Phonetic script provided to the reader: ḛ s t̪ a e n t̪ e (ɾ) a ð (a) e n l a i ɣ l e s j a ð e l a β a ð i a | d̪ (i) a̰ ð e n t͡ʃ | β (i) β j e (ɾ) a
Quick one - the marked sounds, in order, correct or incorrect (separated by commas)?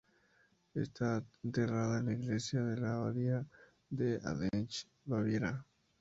incorrect, correct, incorrect, incorrect, correct